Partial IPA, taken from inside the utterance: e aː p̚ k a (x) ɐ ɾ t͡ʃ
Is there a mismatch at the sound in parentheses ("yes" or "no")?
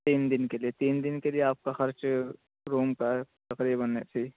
no